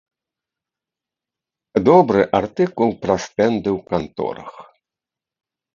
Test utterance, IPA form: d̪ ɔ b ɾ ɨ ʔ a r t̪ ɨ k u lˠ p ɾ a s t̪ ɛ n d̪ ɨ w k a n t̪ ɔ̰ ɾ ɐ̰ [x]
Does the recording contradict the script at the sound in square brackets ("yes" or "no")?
no